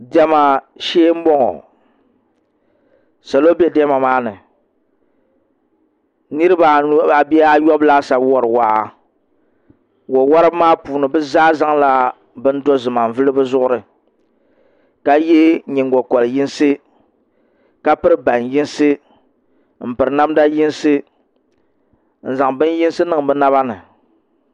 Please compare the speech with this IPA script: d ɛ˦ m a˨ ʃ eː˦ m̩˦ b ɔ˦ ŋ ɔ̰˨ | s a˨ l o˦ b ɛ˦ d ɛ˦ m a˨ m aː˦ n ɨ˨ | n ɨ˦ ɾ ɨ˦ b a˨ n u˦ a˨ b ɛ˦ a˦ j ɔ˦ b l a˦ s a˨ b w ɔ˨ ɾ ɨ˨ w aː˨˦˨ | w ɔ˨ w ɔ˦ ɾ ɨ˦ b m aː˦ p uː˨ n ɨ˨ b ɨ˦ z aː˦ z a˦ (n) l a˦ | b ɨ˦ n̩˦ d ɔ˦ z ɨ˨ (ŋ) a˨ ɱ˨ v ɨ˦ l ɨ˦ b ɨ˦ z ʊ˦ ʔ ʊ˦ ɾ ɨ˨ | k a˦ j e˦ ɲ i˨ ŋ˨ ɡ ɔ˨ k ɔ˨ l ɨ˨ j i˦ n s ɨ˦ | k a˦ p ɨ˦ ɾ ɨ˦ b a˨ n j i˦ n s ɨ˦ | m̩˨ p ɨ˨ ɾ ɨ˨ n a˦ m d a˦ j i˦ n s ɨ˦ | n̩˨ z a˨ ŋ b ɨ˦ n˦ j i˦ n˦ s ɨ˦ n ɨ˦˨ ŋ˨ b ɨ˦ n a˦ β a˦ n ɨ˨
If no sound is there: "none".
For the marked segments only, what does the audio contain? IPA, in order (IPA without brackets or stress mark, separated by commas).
ŋ, m